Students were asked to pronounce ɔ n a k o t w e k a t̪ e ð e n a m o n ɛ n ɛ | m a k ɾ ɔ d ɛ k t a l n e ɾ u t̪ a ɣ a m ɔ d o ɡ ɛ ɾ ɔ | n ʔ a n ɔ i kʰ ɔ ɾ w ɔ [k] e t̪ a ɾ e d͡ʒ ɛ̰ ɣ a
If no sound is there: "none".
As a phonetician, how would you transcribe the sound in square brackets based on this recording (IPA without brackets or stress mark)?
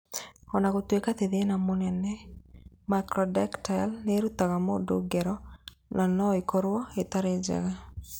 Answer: none